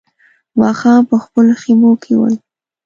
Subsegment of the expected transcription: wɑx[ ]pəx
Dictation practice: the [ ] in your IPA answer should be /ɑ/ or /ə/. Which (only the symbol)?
ɑ